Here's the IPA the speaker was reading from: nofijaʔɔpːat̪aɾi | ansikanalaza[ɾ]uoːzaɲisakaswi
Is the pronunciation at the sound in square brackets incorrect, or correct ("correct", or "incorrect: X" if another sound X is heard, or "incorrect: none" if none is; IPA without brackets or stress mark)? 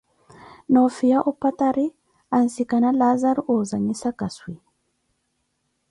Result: correct